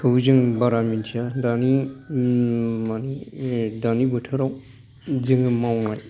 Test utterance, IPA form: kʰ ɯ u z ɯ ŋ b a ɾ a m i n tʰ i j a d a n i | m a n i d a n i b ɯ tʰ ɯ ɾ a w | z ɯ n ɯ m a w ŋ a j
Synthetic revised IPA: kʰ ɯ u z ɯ ŋ b a ɾ a m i n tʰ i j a d a n i | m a n i d a n i b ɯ tʰ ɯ ɾ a w | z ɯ ŋ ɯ m a w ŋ a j